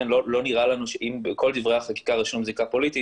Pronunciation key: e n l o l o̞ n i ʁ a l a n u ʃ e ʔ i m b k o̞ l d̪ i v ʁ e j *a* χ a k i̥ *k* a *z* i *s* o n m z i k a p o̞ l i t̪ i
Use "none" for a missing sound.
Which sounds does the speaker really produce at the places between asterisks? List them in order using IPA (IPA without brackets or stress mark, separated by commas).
a, k, ʁ, ʃ